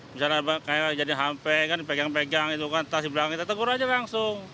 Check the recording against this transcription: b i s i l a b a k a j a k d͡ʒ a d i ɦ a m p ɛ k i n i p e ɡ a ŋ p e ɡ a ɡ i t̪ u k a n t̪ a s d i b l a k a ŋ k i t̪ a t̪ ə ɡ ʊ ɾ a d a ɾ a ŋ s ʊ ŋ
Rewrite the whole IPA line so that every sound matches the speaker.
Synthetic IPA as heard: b i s a l a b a k a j a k d͡ʒ a d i ɦ a m p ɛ k a n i p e ɡ a ŋ p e ɡ a ŋ i t̪ u k a n t̪ a s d i b l a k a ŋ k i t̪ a t̪ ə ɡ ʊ ɾ a d͡ʒ a l a ŋ s ʊ ŋ